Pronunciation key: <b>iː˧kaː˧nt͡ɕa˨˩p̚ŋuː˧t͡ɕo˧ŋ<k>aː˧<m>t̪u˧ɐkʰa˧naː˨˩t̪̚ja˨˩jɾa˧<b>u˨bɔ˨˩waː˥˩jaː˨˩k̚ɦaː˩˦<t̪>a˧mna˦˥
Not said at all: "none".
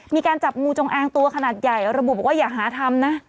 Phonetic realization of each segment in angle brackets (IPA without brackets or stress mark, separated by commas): m, ʔ, ŋ, b, t̪ʰ